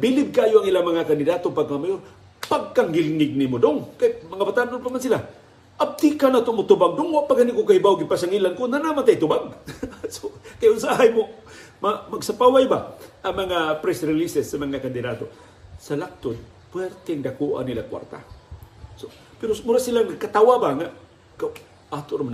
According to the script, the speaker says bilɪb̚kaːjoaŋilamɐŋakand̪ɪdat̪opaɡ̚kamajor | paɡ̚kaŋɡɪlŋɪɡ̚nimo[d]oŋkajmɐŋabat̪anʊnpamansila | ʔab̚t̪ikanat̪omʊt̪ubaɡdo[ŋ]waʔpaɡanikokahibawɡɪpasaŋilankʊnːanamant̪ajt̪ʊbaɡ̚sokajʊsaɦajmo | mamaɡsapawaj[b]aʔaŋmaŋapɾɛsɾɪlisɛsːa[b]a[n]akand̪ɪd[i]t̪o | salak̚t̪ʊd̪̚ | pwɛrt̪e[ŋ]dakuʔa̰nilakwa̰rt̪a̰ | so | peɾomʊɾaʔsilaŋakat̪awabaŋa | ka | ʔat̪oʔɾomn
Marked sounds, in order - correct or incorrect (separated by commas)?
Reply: correct, correct, correct, incorrect, incorrect, incorrect, correct